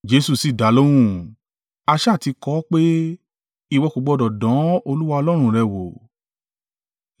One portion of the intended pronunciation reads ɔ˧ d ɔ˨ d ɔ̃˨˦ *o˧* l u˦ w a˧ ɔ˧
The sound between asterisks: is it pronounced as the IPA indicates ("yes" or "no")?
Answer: yes